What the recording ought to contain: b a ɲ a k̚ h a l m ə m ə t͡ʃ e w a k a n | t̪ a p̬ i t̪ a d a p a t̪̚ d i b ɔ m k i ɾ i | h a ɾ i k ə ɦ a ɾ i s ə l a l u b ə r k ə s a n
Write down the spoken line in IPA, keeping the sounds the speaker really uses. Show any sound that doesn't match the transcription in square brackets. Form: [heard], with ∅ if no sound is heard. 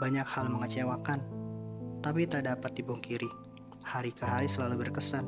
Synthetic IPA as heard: b a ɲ a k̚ h a l m ə [ŋ] ə t͡ʃ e w a k a n | t̪ a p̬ i t̪ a d a p a t̪̚ d i b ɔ [ŋ] k i ɾ i | h a ɾ i k ə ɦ a ɾ i s ə l a l u b ə r k ə s a n